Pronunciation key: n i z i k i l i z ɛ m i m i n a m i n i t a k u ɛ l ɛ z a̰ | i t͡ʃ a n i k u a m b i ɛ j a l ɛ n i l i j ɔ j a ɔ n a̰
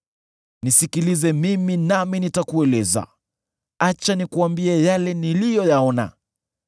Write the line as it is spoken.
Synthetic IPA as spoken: n i s i k i l i z ɛ m i m i n a m i n i t a k u ɛ l ɛ z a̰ | a t͡ʃ a n i k u a m b i ɛ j a l ɛ n i l i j ɔ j a ɔ n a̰